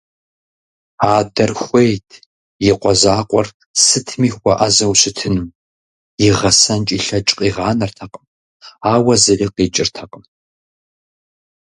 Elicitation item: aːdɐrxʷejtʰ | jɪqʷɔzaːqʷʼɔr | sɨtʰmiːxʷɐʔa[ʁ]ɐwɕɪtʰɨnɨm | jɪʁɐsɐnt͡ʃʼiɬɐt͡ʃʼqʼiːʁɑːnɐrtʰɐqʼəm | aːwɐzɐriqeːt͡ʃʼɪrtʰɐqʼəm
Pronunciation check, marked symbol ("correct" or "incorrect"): incorrect